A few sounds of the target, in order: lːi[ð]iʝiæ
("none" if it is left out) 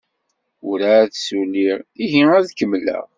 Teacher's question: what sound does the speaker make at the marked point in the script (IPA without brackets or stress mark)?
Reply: ʁ